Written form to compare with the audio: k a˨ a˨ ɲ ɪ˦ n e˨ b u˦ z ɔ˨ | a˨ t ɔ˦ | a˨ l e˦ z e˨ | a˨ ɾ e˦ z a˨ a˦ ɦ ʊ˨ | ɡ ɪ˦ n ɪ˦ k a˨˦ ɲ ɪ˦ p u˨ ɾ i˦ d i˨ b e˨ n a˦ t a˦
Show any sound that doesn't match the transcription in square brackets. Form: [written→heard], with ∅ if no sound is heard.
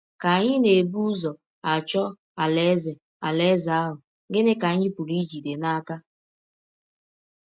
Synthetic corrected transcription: k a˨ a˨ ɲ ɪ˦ n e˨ b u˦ z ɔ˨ | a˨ [t→t͡ʃ] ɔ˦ | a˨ l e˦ z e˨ | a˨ [ɾ→l] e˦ z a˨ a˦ ɦ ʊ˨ | ɡ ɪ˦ n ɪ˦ k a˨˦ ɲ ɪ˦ p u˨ ɾ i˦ [d→d͡ʒ] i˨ [b→d] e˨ n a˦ [t→k] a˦

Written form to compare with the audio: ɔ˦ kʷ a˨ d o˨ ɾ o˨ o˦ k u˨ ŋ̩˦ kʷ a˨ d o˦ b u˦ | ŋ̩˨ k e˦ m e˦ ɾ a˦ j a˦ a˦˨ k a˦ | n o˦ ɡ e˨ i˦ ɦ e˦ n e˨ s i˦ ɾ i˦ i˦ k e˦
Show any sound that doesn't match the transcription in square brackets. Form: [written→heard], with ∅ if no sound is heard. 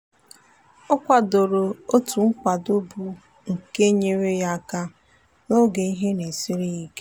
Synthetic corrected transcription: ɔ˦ kʷ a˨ d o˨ ɾ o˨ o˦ [k→t] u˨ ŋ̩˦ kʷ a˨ d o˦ b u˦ | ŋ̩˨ k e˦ [m→ɲ] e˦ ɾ [a˦→e˦] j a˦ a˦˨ k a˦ | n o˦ ɡ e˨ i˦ ɦ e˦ n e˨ s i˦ ɾ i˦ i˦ k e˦

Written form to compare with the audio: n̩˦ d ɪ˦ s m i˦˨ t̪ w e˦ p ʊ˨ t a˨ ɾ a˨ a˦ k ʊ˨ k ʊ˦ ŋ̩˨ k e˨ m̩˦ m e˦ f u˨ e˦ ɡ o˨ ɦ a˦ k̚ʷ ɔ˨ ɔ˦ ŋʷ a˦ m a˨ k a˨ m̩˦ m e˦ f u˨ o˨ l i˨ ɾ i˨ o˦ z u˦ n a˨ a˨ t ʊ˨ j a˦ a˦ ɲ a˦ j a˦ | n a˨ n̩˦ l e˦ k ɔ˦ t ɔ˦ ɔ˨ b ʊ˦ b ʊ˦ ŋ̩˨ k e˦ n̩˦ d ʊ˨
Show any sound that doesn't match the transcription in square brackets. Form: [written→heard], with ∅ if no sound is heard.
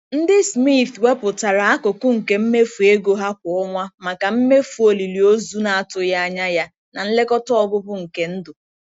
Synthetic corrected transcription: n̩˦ d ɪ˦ s m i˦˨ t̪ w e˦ p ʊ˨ t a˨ ɾ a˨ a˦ k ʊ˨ k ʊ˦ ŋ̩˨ k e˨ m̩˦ m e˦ f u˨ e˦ ɡ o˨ ɦ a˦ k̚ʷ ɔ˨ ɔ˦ ŋʷ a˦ m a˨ k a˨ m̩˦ m e˦ f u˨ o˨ l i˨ [ɾ→l] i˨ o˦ z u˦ n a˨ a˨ t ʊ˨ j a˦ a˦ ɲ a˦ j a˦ | n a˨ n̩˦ l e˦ k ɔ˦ t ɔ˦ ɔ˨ b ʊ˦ b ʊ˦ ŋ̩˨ k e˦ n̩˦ d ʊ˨

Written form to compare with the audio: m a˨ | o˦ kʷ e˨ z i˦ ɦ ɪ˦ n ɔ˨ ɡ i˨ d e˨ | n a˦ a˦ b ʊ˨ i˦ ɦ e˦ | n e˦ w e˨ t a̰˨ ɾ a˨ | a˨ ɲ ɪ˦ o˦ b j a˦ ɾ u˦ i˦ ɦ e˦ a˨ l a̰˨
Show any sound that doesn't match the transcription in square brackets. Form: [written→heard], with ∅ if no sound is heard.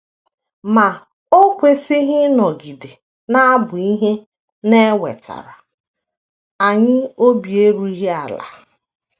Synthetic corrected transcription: m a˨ | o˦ kʷ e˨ [z→s] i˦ ɦ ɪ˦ n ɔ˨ ɡ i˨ d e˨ | n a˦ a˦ b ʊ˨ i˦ ɦ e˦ | n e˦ w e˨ t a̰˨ ɾ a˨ | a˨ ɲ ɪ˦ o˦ b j [a˦→e˦] ɾ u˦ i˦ ɦ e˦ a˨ l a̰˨

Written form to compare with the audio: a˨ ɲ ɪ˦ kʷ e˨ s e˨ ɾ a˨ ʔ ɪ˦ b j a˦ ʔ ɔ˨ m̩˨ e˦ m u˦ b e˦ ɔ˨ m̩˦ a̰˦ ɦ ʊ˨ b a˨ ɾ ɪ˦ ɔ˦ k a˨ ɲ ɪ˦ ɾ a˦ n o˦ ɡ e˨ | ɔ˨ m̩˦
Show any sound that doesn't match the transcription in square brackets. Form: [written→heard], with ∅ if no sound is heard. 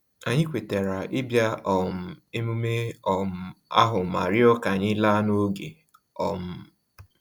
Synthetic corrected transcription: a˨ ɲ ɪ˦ kʷ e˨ [s→t] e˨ ɾ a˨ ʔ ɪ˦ b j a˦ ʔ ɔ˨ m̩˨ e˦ m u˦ [b→m] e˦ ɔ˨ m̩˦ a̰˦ ɦ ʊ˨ [b→m] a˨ ɾ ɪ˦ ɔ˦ k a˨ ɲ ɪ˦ [ɾ→l] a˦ n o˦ ɡ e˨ | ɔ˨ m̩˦

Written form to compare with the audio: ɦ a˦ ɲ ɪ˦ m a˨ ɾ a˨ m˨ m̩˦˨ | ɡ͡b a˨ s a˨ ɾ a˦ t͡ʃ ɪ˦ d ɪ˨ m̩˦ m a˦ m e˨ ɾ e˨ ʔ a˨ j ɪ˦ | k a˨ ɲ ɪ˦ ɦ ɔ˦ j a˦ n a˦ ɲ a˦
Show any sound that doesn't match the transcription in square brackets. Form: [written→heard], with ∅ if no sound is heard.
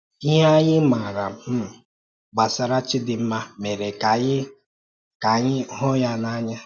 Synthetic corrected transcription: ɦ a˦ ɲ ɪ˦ m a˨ ɾ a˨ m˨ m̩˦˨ | ɡ͡b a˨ s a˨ ɾ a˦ t͡ʃ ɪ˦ d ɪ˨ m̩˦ m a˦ m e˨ ɾ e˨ [ʔ→k] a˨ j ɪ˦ | k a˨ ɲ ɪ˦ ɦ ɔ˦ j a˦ n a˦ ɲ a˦

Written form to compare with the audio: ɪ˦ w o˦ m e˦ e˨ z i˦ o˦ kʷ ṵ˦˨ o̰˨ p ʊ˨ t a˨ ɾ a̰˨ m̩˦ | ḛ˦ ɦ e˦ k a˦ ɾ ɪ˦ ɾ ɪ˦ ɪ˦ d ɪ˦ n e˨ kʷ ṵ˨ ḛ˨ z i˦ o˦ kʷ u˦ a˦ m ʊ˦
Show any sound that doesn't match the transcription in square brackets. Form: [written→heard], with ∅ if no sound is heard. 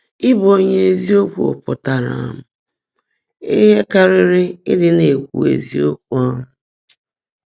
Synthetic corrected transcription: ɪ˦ [w→b] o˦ [m→ɲ] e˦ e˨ z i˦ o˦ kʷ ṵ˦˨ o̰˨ p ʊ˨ t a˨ ɾ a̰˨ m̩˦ | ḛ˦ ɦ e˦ k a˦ ɾ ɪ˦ ɾ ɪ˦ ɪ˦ d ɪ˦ n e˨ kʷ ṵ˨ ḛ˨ z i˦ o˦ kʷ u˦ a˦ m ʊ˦

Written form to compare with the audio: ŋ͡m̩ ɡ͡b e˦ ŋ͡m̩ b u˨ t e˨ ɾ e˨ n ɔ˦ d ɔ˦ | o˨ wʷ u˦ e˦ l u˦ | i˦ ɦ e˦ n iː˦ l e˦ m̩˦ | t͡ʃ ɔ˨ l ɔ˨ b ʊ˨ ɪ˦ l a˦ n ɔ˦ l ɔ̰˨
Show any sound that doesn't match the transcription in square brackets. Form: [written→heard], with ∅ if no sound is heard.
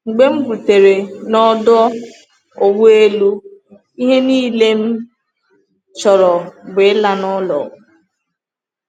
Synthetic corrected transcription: ŋ͡m̩ ɡ͡b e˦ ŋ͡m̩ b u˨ t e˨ ɾ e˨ n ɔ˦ d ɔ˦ | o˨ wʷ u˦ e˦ l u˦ | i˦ ɦ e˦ n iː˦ l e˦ m̩˦ | t͡ʃ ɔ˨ [l→ɾ] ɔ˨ b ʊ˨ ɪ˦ l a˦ n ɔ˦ l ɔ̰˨

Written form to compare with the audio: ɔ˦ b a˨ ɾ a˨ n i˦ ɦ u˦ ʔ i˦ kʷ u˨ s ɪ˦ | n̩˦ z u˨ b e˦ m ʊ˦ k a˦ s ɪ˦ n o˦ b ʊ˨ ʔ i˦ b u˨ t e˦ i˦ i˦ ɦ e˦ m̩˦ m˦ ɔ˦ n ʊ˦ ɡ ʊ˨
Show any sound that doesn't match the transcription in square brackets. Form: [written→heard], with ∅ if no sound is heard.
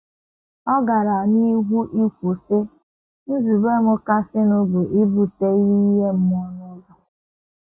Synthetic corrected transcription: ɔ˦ [b→ɡ] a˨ ɾ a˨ n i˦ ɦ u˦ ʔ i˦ kʷ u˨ s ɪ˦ | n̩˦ z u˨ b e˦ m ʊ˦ k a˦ s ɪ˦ n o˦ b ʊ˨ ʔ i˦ b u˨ t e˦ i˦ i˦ ɦ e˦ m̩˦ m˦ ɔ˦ n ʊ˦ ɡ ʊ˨

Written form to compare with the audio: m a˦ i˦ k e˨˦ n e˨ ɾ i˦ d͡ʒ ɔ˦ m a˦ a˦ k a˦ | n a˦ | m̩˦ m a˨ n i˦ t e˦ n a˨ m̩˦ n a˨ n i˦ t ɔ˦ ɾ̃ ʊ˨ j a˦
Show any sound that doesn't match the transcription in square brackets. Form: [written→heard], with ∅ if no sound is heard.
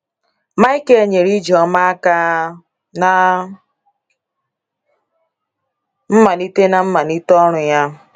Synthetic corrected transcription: m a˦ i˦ k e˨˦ [n→ɲ] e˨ ɾ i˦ d͡ʒ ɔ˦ m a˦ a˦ k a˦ | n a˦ | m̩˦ m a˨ n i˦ t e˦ n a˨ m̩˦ [n→m] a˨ n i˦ t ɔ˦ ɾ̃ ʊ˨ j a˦

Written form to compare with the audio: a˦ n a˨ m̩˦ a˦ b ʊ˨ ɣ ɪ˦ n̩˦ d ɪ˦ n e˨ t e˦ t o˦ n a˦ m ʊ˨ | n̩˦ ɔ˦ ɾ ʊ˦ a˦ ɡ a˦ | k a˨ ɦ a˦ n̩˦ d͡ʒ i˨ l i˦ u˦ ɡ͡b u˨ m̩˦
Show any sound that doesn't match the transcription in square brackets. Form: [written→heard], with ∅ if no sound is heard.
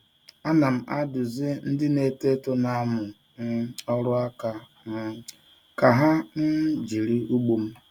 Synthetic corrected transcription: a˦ n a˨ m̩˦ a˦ [b→d] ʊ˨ [ɣ→z] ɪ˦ n̩˦ d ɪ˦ n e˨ t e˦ t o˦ n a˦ m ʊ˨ | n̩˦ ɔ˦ ɾ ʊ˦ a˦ [ɡ→k] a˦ | k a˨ ɦ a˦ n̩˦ d͡ʒ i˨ [l→ɾ] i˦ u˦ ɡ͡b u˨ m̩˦

